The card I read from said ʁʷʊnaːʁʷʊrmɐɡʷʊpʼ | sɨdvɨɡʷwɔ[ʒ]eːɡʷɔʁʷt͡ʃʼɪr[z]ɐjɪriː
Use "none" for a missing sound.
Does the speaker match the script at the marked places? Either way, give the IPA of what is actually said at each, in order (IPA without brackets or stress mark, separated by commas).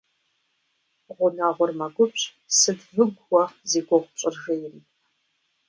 z, ʒ